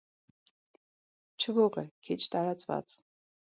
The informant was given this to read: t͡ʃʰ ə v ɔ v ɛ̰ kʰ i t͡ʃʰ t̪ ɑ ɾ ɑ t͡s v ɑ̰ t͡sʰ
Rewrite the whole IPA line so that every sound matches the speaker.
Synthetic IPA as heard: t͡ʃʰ ə v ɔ ʁ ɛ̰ kʰ i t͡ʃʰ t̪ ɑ ɾ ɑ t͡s v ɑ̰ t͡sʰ